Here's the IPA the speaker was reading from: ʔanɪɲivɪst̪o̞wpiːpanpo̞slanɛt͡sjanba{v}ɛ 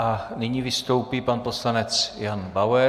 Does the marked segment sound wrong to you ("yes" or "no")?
yes